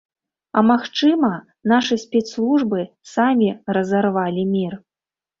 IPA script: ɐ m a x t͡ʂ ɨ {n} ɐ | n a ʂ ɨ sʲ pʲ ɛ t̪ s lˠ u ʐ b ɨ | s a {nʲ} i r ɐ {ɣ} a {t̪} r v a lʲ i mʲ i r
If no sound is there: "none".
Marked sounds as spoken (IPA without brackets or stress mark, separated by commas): m, mʲ, z, none